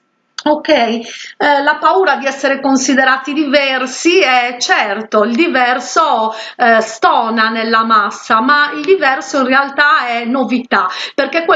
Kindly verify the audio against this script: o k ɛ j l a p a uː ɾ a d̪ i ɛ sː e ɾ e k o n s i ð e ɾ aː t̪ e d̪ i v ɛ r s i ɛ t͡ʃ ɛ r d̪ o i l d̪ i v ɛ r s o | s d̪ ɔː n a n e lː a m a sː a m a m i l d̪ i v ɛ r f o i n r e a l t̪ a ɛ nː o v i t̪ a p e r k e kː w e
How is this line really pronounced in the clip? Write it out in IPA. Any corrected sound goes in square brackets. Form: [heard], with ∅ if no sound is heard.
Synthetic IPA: o k ɛ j l a p a uː ɾ a d̪ i ɛ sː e ɾ e k o n s i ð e ɾ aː t̪ [i] d̪ i v ɛ r s i ɛ t͡ʃ ɛ r [t̪] o i l d̪ i v ɛ r s o | s [t̪] ɔː n a n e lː a m a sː a m a [∅] i l d̪ i v ɛ r [s] o i n r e a l t̪ a ɛ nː o v i t̪ a p e r k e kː w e